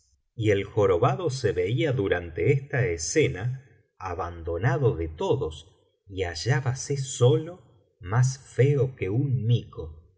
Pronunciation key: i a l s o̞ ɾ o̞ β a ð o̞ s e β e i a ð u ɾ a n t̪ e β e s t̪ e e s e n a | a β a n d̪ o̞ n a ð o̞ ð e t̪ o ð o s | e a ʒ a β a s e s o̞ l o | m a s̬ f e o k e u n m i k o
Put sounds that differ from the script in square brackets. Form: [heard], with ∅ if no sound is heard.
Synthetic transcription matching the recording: i [e] l [x] o̞ ɾ o̞ β a ð o̞ s e β e i a ð u ɾ a n t̪ e [∅] e s t̪ [a] e s e n a | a β a n d̪ o̞ n a ð o̞ ð e t̪ o ð o s | [i] a ʒ a β a s e s o̞ l o | m a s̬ f e o k e u n m i k o